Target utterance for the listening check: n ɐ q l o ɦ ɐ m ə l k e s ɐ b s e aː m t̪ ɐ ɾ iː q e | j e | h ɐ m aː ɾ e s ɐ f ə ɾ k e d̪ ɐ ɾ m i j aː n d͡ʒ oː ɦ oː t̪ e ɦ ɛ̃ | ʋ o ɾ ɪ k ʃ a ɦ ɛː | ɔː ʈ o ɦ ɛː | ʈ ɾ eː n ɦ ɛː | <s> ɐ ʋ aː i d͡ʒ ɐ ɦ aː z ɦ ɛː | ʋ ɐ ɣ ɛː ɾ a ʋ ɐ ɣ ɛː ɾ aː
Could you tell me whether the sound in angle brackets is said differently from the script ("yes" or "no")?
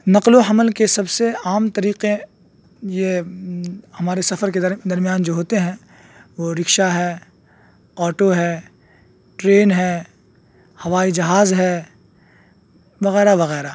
yes